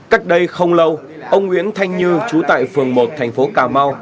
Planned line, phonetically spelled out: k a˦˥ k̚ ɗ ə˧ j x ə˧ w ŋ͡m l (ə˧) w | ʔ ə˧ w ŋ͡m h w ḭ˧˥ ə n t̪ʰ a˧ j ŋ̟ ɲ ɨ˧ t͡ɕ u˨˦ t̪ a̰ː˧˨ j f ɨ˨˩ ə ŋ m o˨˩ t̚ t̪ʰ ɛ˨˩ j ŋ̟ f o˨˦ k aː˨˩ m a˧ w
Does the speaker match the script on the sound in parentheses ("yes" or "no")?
yes